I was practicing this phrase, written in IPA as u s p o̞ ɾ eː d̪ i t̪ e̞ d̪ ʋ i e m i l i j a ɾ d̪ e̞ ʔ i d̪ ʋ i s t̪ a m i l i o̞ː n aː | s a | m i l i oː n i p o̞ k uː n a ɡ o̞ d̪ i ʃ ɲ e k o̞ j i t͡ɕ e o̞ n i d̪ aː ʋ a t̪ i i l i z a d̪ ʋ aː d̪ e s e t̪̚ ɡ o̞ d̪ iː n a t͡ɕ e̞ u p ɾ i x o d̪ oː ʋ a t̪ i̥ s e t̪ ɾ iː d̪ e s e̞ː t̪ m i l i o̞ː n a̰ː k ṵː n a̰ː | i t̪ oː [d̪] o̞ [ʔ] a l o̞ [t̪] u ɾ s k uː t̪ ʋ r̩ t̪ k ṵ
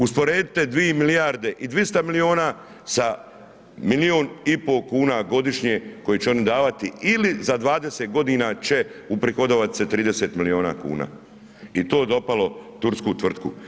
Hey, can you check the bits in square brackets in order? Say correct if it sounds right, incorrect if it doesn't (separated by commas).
correct, incorrect, correct